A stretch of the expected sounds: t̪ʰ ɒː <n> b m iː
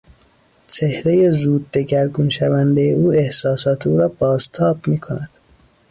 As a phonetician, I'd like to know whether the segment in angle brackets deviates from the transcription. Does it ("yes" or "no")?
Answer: yes